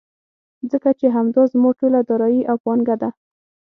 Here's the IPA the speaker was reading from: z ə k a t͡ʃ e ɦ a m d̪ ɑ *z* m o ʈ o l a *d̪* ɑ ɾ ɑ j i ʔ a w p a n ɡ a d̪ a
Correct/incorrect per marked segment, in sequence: correct, correct

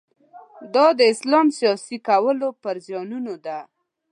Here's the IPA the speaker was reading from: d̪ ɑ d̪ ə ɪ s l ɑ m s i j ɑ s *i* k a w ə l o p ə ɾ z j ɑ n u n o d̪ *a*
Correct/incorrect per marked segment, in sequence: correct, correct

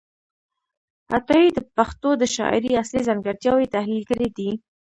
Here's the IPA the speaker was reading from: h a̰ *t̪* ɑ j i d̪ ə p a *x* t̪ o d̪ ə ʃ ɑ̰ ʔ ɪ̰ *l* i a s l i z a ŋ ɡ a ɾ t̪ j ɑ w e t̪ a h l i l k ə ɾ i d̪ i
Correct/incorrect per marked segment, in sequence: correct, correct, incorrect

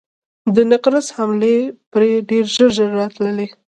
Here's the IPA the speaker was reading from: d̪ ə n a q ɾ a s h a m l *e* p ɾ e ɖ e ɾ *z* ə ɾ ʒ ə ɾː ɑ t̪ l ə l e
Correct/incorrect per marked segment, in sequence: correct, incorrect

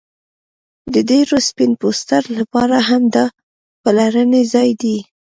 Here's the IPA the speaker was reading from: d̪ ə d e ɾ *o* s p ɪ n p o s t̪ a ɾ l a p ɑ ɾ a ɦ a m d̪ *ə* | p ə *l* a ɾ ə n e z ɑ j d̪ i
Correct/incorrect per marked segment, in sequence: correct, incorrect, correct

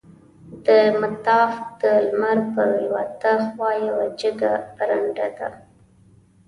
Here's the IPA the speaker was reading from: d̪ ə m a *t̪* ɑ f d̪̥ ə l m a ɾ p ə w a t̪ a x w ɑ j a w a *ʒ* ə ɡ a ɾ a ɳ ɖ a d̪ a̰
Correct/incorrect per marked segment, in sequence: correct, incorrect

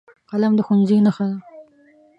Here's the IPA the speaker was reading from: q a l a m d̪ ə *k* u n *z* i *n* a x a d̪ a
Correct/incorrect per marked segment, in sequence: incorrect, correct, correct

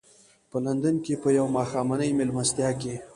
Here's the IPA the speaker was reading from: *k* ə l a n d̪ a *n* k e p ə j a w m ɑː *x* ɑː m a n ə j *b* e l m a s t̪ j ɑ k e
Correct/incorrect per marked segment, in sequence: incorrect, correct, correct, incorrect

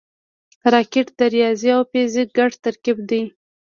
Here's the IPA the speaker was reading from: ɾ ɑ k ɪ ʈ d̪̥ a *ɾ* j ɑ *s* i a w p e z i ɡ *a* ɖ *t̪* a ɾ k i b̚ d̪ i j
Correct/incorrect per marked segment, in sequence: correct, incorrect, correct, correct

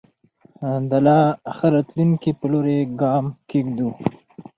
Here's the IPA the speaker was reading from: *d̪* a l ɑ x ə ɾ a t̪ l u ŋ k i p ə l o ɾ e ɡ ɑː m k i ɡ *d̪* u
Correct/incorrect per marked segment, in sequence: correct, correct

